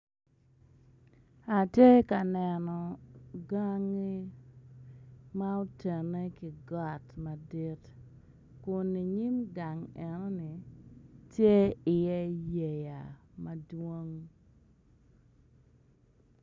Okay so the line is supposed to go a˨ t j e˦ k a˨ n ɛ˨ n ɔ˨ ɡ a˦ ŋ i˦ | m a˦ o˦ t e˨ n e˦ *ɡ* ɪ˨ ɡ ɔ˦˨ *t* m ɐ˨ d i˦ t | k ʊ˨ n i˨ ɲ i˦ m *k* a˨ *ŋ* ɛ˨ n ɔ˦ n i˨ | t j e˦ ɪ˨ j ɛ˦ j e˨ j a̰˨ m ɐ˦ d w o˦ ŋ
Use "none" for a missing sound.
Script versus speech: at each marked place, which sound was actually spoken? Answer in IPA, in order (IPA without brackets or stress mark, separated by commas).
k, t, ɡ, ŋ